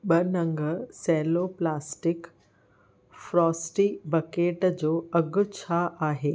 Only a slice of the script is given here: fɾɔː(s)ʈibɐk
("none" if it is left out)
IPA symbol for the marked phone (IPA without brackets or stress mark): s